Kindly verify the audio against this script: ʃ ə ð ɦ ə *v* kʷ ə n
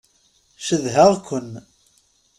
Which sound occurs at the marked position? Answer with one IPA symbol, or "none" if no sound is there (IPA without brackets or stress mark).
ʁ